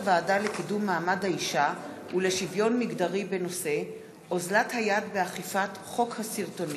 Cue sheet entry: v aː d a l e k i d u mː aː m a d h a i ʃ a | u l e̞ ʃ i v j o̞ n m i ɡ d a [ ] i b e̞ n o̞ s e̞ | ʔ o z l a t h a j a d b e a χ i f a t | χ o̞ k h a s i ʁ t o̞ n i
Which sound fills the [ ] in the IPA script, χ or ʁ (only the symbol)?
ʁ